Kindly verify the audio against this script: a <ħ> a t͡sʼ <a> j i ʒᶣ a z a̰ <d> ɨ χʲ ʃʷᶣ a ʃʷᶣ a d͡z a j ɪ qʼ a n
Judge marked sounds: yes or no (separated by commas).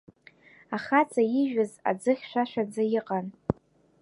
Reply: no, yes, no